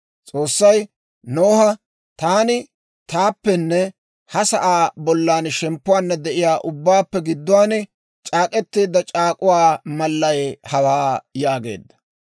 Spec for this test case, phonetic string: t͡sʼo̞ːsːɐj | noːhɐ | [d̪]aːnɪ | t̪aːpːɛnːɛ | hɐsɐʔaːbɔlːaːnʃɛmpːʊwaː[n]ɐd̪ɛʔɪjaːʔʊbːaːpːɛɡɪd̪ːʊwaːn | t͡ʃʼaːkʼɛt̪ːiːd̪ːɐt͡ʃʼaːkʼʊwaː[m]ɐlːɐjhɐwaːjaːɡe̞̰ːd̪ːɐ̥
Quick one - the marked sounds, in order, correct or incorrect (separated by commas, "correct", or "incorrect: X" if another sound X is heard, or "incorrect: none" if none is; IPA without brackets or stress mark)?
incorrect: t̪, incorrect: nː, correct